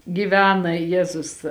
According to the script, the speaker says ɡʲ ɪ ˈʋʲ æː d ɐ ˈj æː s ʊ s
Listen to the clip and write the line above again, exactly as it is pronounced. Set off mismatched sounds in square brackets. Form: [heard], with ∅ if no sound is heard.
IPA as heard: ɡʲ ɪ ˈʋʲ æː [n] ɐ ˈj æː [z] ʊ s